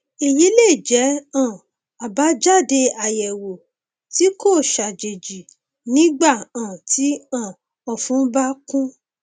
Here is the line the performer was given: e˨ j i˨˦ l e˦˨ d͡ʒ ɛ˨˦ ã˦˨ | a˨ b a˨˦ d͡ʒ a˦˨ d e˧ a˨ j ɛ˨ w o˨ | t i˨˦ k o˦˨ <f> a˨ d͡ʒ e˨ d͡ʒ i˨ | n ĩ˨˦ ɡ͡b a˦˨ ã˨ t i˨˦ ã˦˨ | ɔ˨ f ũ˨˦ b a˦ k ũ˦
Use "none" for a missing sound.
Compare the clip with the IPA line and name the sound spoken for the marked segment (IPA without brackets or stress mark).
ʃ